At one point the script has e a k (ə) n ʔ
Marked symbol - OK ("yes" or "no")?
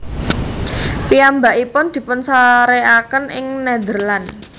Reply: yes